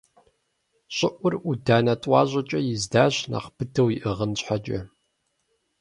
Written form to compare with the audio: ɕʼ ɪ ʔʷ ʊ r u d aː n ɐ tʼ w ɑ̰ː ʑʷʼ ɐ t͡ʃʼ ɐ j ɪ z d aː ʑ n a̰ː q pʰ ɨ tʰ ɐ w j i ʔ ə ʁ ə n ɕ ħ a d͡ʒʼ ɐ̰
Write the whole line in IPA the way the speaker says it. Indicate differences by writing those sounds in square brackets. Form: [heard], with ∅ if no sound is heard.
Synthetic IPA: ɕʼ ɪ ʔʷ ʊ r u d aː n ɐ tʼ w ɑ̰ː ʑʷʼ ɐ t͡ʃʼ ɐ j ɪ z d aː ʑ n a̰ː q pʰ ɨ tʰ ɐ w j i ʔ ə ʁ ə n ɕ ħ a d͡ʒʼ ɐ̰